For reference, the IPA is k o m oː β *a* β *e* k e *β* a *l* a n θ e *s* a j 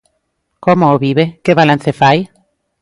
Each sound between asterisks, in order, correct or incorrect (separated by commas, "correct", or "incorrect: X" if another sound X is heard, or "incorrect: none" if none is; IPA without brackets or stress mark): incorrect: i, correct, correct, correct, incorrect: f